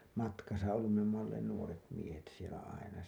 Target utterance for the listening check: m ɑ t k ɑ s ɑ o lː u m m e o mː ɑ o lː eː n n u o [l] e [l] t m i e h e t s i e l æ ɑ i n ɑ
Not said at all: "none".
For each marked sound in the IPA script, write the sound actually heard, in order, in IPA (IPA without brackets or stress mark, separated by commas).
r, none